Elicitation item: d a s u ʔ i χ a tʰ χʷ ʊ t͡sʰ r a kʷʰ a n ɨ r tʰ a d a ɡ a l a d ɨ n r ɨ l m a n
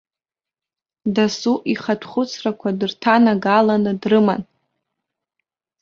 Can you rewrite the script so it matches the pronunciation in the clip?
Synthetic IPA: d a s u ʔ i χ a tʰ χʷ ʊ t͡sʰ r a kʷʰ a d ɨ r tʰ a n a ɡ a l a n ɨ d r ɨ m a n